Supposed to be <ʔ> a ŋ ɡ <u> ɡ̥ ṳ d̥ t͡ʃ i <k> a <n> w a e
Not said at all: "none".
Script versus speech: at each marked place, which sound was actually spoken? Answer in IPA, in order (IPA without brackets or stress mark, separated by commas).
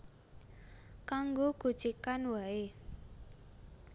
k, o, k, n